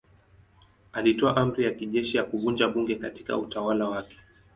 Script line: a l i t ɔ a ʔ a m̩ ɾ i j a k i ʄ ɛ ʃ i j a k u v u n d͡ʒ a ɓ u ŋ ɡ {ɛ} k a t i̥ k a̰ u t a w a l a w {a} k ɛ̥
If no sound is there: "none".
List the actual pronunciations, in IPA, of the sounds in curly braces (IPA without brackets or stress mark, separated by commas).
ɛ, a